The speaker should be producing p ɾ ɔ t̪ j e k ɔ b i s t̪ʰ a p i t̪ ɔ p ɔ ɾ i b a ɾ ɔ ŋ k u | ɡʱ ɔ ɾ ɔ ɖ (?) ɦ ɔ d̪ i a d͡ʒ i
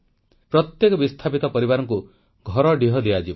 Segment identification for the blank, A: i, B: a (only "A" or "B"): A